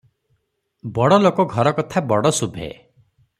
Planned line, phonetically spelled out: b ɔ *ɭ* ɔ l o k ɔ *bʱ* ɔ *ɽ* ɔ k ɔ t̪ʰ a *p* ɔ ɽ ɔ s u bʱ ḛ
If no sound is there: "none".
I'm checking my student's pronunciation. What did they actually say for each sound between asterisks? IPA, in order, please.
ɽ, ɡʱ, ɾ, b

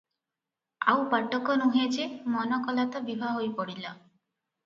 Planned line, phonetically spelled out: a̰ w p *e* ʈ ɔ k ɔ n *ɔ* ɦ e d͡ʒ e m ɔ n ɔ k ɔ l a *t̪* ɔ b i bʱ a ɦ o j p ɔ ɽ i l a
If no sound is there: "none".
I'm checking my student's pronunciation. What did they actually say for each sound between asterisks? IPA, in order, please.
a, u, t̪

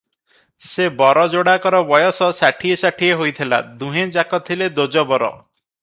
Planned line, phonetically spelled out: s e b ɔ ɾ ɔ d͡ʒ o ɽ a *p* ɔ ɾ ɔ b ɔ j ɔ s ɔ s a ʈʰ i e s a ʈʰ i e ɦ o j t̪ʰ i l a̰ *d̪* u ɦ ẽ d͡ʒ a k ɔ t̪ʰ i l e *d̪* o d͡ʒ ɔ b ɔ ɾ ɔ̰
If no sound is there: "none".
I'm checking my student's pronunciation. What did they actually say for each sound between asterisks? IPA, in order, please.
k, d̪, d̪

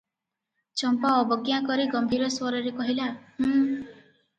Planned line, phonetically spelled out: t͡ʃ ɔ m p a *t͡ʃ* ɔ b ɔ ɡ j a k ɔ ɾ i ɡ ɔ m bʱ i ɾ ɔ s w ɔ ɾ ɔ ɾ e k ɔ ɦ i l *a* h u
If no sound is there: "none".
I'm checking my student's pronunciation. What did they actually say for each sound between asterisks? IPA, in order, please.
none, a

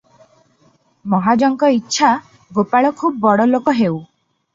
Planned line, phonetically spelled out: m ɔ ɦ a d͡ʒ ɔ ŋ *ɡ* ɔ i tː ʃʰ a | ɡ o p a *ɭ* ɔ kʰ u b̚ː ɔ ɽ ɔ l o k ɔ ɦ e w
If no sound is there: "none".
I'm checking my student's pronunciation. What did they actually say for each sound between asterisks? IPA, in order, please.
k, ɭ

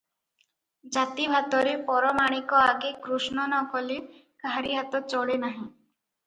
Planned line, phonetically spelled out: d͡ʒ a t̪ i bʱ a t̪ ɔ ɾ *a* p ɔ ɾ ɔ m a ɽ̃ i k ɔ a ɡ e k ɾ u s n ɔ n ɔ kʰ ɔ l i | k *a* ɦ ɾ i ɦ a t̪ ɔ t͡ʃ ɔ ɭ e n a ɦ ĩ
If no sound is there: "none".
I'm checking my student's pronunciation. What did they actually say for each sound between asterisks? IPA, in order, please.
e, a

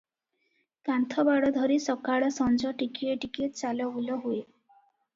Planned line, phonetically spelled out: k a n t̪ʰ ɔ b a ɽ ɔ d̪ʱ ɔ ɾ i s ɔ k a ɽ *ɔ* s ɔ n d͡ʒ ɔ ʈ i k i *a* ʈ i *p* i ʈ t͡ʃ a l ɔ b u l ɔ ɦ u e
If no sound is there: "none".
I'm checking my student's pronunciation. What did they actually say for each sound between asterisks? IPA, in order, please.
ɔ, e, k

